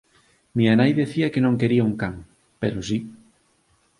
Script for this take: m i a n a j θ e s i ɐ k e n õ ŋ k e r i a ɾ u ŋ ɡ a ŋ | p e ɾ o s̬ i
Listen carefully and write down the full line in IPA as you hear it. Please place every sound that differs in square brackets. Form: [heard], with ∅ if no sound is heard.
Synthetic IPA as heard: m i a n a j [ð] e [θ] i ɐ k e n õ ŋ k e [ɾ] i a [∅] u ŋ [k] a ŋ | p e ɾ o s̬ i